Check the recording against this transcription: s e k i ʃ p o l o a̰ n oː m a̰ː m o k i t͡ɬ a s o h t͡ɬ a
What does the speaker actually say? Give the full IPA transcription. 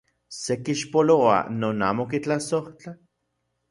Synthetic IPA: s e k i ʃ p o l o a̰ n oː n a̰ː m o k i t͡ɬ a s o h t͡ɬ a